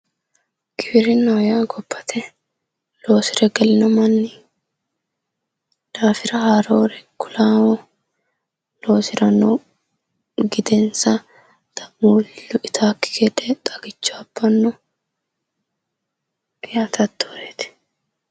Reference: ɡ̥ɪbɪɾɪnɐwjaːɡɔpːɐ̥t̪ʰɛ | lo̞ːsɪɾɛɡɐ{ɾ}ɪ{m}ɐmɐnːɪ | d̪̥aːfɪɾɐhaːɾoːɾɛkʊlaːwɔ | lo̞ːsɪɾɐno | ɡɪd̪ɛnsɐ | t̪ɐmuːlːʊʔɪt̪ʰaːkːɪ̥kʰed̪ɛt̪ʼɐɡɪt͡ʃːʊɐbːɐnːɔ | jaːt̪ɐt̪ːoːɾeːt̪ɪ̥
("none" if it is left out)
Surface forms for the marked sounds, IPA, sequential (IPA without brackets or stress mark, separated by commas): l, n